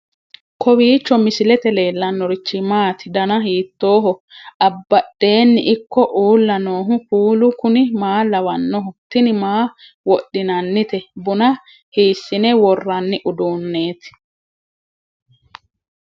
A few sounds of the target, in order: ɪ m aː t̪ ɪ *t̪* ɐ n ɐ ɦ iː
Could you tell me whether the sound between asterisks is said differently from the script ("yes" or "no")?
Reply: yes